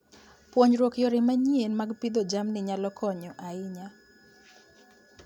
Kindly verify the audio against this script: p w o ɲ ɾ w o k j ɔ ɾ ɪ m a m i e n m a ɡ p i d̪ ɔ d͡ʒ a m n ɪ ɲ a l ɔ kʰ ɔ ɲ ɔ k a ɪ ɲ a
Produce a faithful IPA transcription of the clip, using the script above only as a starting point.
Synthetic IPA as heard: p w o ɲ ɾ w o k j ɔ ɾ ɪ m a ɲ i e n m a ɡ p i d̪ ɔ d͡ʒ a m n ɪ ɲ a l ɔ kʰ ɔ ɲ ɔ ʔ a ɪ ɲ a